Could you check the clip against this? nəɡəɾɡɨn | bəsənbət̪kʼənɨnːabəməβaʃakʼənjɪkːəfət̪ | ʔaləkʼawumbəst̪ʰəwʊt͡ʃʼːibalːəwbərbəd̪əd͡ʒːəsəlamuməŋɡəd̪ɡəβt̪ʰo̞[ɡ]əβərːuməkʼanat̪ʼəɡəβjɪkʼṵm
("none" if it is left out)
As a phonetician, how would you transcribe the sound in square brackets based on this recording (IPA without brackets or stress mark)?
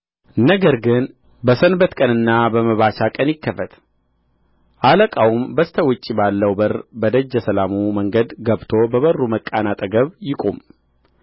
b